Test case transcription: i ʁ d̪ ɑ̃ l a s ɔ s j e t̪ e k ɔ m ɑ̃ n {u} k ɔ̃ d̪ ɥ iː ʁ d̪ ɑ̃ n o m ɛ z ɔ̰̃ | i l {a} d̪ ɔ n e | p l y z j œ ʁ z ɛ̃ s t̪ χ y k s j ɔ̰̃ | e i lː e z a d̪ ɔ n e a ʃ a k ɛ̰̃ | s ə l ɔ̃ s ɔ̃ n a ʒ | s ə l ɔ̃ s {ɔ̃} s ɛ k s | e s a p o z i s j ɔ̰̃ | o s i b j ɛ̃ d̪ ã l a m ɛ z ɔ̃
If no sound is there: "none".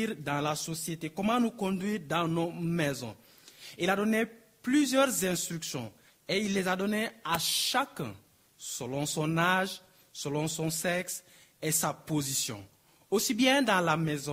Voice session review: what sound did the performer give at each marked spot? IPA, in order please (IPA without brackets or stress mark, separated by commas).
u, a, ɔ̃